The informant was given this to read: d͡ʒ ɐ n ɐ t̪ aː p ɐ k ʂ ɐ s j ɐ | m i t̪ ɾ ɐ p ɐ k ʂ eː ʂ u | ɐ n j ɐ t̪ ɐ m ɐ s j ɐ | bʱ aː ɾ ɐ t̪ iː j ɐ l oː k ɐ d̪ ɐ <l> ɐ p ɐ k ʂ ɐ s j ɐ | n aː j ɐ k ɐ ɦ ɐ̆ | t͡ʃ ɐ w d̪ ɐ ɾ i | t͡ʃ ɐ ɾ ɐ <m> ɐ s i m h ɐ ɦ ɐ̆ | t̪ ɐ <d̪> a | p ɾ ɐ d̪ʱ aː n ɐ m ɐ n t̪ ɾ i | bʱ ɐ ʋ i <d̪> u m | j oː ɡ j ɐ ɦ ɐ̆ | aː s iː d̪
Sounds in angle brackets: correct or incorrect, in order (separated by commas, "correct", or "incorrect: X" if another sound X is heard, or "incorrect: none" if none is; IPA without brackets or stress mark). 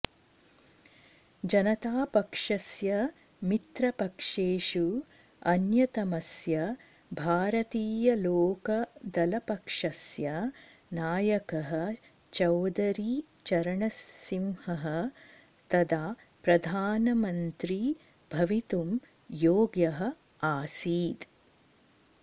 correct, incorrect: ɳ, correct, incorrect: t̪